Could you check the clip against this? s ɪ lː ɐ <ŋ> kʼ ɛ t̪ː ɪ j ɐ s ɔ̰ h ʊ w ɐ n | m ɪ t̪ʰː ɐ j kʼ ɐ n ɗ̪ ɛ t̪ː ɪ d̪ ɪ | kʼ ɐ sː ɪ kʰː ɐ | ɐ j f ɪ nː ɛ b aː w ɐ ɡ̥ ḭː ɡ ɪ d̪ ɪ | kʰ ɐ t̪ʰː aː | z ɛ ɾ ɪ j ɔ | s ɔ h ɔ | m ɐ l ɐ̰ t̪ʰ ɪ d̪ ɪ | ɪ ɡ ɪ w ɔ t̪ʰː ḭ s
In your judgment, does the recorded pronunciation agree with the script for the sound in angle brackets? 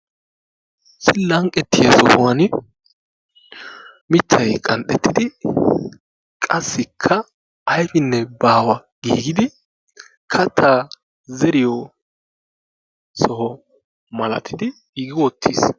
yes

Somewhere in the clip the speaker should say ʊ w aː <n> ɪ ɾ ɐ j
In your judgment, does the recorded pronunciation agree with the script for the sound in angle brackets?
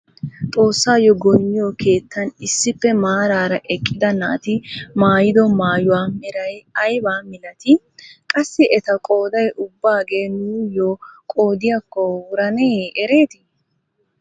no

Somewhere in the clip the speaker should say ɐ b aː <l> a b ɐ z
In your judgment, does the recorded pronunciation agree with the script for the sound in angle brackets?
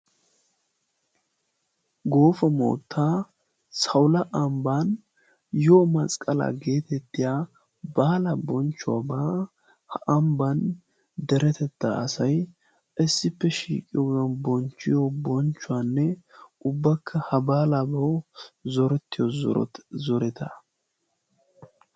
yes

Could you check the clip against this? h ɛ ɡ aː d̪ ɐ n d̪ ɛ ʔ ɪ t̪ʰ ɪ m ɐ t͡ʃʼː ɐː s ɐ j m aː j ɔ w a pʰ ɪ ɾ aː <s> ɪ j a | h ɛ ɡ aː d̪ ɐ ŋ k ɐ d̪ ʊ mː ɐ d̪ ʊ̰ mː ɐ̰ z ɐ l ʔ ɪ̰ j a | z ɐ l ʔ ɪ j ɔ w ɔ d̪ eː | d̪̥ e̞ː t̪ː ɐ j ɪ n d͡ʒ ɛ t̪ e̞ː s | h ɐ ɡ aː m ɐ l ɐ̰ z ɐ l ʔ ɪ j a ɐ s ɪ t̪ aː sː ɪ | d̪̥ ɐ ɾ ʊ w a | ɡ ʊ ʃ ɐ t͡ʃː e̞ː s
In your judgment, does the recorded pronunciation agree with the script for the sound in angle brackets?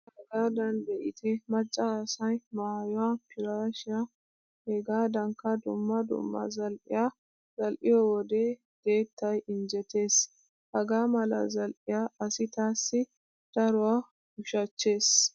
no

